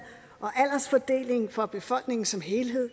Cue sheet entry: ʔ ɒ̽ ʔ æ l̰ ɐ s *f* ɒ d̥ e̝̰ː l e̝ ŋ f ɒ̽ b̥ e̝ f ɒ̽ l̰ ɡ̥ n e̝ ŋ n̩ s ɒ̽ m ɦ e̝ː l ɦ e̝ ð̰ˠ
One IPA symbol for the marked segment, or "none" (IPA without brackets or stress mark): f